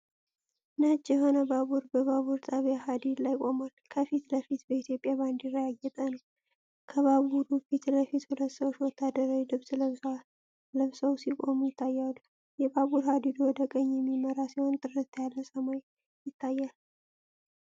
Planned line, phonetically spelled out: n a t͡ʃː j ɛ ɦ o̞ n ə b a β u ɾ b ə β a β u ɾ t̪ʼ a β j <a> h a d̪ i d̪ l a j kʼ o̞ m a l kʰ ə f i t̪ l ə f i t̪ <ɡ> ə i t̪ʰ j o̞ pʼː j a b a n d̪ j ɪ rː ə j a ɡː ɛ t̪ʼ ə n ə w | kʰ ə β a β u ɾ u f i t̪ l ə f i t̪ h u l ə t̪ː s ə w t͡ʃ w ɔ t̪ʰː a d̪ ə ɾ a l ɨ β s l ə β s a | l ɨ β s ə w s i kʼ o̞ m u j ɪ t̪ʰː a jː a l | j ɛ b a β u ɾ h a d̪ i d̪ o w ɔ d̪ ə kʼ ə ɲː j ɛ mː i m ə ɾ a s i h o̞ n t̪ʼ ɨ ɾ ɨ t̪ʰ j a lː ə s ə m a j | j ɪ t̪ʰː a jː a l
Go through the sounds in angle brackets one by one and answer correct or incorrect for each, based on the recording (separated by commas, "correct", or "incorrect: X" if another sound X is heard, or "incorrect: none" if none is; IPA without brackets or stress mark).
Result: correct, incorrect: b